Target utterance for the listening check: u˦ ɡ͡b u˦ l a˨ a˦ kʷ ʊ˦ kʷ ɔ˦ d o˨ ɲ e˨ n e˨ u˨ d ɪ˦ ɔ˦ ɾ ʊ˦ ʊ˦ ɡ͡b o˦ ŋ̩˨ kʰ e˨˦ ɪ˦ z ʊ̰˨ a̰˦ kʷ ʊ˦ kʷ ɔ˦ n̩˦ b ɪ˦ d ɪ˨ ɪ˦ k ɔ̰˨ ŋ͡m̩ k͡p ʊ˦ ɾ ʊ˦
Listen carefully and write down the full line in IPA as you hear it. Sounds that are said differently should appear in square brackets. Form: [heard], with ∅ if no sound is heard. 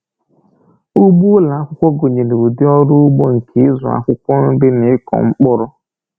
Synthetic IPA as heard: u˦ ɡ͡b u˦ l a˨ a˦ kʷ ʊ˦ kʷ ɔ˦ [ɡ] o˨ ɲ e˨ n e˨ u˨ d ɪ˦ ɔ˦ ɾ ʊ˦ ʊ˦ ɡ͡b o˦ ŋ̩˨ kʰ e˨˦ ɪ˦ z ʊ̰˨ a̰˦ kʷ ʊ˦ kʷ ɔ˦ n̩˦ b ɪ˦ [n] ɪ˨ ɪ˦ k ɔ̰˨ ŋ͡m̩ k͡p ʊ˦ ɾ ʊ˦